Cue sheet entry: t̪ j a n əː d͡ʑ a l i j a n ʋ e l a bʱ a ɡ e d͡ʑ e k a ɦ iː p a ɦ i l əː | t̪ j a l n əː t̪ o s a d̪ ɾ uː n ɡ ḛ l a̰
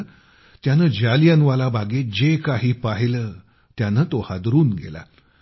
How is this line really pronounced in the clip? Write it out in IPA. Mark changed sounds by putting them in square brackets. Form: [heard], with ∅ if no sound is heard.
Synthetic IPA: t̪ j a n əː d͡ʑ a l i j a n ʋ [a] l a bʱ a ɡ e d͡ʑ e k a ɦ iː p a ɦ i l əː | t̪ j a [∅] n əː t̪ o [h] a d̪ ɾ uː n ɡ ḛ l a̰